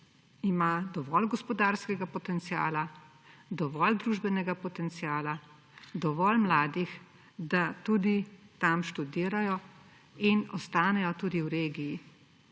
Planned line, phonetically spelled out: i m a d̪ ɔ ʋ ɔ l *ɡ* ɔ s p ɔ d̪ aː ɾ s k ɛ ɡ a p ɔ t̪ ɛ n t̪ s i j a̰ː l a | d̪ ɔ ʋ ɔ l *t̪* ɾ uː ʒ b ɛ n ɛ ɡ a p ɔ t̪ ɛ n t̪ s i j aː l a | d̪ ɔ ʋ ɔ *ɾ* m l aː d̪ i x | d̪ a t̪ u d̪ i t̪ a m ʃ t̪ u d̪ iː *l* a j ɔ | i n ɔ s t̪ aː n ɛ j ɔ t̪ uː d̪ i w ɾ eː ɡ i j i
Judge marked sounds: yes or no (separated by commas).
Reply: yes, no, no, no